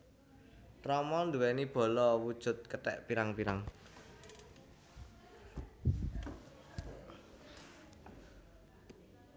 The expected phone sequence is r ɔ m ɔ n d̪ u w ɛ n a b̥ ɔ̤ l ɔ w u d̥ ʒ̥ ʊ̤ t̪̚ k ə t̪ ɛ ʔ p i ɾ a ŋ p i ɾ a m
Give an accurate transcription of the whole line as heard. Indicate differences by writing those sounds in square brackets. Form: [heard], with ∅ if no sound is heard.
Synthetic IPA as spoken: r ɔ m ɔ n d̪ u w ɛ n [i] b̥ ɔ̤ l ɔ w u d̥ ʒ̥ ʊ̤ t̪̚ k ə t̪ ɛ ʔ p i ɾ a ŋ p i ɾ a [ŋ]